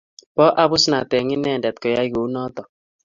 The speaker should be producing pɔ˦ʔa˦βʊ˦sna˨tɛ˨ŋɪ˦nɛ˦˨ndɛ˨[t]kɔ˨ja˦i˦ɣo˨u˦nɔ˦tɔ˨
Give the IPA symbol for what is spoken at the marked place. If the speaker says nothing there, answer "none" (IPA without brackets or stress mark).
t